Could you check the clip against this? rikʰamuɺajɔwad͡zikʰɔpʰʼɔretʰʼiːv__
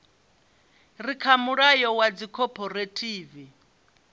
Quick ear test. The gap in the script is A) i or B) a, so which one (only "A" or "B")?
A